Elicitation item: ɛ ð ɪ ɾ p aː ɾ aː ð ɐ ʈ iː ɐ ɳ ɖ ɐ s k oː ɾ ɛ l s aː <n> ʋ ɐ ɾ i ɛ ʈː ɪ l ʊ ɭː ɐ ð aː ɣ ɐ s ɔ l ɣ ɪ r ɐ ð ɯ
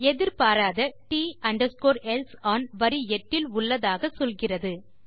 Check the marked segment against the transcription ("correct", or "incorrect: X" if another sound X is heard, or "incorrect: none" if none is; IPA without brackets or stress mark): correct